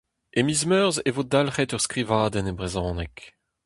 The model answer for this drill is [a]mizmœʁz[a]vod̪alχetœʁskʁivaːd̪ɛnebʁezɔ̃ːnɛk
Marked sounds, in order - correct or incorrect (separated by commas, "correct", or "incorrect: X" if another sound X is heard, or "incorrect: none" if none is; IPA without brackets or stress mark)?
incorrect: e, incorrect: e